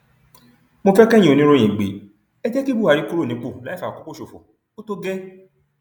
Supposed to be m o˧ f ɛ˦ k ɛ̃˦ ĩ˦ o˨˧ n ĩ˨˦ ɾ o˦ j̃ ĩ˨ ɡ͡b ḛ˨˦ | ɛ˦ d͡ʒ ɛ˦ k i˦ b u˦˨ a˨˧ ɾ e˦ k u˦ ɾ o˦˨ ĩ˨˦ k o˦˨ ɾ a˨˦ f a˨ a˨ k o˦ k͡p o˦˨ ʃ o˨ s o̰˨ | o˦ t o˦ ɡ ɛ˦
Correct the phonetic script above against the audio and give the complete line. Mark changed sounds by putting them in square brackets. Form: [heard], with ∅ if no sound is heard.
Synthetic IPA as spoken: m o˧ f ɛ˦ k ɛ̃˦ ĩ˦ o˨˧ n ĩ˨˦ ɾ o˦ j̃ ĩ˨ ɡ͡b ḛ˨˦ | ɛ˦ d͡ʒ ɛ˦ k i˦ b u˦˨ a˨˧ ɾ [i˦] k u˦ ɾ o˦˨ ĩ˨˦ [k͡p] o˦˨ [l] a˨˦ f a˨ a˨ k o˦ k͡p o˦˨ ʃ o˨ [f] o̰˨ | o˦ t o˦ ɡ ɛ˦